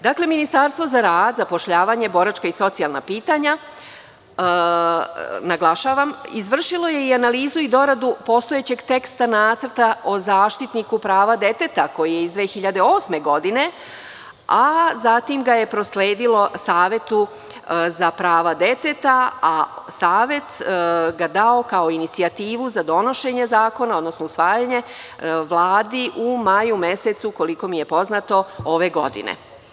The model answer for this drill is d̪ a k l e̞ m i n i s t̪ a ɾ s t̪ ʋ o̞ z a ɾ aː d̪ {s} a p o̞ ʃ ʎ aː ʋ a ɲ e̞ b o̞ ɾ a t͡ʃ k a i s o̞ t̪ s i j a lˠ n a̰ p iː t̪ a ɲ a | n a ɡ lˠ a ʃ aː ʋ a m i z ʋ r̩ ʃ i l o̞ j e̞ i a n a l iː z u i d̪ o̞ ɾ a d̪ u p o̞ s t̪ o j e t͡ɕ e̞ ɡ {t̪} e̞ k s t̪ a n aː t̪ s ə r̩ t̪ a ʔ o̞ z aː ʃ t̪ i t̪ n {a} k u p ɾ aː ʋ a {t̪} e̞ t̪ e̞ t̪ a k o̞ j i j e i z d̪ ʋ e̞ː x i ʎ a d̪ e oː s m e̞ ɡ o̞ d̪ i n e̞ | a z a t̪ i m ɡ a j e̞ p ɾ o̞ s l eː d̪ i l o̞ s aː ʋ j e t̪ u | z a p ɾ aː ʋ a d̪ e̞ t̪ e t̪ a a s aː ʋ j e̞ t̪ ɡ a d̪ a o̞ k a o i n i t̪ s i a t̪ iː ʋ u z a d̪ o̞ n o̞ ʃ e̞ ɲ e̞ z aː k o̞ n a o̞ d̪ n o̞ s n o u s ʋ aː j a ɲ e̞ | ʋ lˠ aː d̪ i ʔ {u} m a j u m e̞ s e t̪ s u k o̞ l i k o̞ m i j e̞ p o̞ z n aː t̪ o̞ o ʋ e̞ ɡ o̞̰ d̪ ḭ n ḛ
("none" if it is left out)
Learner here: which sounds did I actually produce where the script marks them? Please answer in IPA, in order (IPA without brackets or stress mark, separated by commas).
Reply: z, t̪, i, d̪, u